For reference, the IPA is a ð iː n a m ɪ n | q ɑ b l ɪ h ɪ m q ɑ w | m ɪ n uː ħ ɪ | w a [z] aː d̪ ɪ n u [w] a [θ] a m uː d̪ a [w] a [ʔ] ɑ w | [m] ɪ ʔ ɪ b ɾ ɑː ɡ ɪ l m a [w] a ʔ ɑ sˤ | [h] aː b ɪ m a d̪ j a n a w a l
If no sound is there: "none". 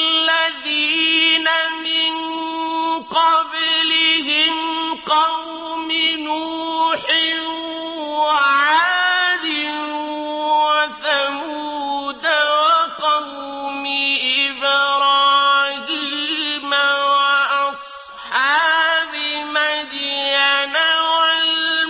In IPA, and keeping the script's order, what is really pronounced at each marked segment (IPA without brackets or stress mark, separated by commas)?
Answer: ʕ, w, θ, w, q, m, w, ħ